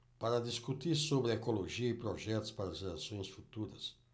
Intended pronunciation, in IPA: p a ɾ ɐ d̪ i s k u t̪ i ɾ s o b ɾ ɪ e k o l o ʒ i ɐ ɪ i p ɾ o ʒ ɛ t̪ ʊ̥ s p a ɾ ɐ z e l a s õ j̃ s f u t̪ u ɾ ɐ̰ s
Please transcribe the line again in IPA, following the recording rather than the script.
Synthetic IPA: p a ɾ ɐ d̪ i s k u t̪ i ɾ s o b ɾ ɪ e k o l o ʒ i ɐ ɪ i p ɾ o ʒ ɛ t̪ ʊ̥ s p a ɾ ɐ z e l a s õ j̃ s f u t̪ u ɾ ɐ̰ s